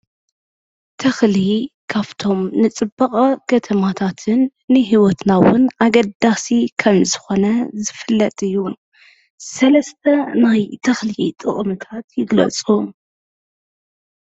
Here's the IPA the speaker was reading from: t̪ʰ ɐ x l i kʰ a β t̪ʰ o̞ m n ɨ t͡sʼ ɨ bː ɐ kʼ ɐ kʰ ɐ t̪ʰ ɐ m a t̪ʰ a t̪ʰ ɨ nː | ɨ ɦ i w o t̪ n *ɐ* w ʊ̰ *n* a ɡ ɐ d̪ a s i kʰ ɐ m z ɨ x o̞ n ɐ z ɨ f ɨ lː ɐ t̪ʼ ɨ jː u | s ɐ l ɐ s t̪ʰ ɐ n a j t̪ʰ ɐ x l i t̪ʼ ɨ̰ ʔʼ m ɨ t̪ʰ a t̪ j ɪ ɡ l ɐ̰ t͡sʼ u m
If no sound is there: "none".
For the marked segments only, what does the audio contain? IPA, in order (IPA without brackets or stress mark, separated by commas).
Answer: a, n